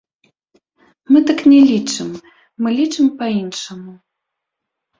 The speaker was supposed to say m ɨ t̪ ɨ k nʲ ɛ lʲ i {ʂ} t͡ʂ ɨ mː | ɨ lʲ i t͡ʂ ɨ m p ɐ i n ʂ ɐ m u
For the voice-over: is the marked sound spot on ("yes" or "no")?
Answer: no